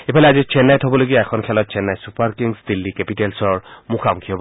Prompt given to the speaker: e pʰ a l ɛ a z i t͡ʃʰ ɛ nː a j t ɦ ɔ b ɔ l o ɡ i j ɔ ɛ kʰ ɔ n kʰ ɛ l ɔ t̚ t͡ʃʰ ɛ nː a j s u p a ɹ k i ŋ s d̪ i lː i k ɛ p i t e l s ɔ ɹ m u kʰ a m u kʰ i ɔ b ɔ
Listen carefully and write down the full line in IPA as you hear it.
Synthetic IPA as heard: e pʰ a l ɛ a z i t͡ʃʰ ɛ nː a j t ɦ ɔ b ɔ l o ɡ i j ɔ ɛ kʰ ɔ n kʰ ɛ l ɔ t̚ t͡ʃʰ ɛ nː a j s u p a ɹ k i ŋ s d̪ i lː i k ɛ p i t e l s ɔ ɹ m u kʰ a m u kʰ i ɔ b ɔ